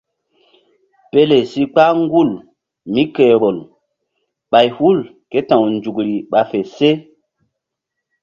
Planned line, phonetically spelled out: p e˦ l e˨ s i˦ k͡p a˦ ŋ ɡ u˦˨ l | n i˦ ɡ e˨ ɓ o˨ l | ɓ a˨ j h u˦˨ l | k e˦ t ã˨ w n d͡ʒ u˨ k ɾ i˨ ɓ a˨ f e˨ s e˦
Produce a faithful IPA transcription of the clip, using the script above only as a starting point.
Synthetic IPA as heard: p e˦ l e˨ s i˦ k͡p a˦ ŋ ɡ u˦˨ l | m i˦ k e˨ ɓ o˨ l | ɓ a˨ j h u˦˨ l | k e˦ t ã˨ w n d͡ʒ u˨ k ɾ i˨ ɓ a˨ f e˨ s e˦